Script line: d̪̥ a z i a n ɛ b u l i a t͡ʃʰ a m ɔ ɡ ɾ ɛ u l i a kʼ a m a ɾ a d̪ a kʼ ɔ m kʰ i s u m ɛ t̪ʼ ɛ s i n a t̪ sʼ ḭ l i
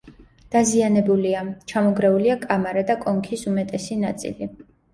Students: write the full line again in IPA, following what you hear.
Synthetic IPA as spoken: d̪̥ a z i a n ɛ b u l i a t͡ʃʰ a m ɔ ɡ ɾ ɛ u l i a kʼ a m a ɾ a d̪ a kʼ ɔ ŋ kʰ i s u m ɛ t̪ʼ ɛ s i n a t̪ sʼ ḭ l i